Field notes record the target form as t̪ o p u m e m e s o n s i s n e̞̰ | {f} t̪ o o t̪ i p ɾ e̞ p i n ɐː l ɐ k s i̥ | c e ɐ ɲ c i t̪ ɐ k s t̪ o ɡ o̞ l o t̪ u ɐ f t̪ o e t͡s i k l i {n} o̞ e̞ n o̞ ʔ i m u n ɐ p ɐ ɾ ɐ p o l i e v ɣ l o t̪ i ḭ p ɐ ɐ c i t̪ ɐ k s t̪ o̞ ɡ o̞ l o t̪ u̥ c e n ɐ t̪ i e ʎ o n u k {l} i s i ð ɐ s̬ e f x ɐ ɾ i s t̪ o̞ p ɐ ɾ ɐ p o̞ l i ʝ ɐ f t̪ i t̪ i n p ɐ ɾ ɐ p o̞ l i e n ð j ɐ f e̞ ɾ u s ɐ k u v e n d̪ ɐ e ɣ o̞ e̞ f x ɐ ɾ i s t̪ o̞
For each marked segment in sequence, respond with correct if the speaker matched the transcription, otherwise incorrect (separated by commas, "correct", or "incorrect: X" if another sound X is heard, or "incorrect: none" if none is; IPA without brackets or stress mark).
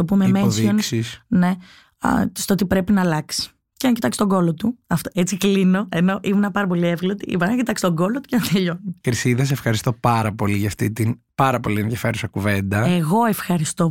incorrect: s, correct, incorrect: ɾ